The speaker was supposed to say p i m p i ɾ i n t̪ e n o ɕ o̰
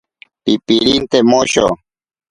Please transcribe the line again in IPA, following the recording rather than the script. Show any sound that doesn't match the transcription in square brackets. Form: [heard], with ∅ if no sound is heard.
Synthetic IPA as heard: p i [∅] p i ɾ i n t̪ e [m] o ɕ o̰